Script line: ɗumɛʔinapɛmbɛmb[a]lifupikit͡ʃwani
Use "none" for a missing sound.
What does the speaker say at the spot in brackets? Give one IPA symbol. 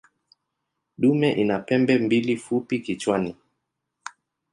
i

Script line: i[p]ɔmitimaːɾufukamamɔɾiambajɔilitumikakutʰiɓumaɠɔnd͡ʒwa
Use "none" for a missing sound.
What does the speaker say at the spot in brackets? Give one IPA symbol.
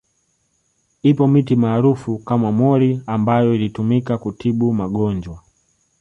p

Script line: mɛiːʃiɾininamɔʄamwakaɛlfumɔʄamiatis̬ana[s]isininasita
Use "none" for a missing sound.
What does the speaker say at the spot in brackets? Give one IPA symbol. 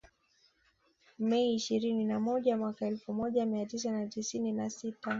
t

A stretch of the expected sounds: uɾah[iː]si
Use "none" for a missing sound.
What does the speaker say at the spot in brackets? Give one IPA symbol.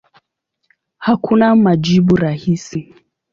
i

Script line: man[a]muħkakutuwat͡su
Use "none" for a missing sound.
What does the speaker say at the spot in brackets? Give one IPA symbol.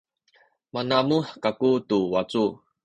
a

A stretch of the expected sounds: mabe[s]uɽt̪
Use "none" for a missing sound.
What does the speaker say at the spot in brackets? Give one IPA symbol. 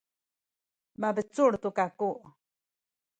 t͡s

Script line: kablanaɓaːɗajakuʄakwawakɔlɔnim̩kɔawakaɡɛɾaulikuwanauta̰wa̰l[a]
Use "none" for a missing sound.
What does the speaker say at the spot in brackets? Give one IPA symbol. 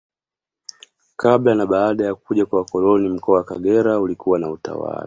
a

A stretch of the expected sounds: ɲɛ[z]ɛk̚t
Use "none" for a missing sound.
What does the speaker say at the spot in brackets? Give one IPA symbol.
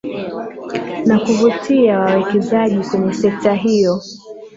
s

